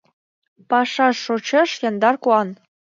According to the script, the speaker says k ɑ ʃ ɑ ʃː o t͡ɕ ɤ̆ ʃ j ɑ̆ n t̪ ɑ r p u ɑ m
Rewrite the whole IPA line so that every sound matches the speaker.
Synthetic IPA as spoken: p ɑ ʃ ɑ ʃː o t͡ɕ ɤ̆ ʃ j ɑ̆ n d̪ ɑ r k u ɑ n